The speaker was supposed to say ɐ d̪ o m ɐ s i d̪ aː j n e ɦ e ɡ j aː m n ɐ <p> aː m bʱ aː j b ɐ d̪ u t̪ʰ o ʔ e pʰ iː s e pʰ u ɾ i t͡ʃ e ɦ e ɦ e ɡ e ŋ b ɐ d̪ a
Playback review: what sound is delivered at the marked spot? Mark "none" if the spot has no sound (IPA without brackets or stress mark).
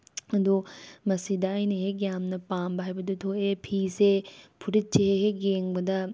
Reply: p